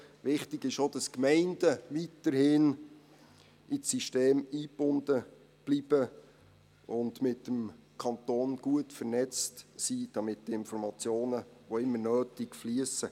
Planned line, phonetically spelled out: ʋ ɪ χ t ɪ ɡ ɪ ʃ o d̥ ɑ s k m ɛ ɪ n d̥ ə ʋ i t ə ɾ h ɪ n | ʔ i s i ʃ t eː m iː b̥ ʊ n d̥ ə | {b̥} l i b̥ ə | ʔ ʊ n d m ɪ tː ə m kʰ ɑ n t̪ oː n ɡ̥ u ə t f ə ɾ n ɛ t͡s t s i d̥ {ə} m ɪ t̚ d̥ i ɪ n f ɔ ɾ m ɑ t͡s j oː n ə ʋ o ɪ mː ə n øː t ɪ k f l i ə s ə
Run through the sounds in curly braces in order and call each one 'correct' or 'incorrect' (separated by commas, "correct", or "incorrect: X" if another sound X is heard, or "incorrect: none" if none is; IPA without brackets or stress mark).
correct, incorrect: ɑ